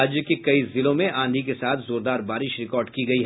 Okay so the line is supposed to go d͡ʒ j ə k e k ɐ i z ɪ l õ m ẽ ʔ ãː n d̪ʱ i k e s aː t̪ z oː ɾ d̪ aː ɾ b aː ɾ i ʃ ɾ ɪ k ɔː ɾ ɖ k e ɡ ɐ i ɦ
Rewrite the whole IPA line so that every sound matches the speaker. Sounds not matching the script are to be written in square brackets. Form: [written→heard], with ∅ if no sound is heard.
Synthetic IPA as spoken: d͡ʒ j ə k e k ɐ i z ɪ l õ m ẽ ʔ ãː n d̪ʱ i k e s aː [t̪→t̪ʰ] z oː ɾ d̪ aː ɾ b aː ɾ [i→ɪ] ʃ ɾ ɪ k ɔː ɾ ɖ k [e→i] ɡ ɐ i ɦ